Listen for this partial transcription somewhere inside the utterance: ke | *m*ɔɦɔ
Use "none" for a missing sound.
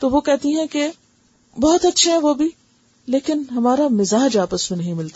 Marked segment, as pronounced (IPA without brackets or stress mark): b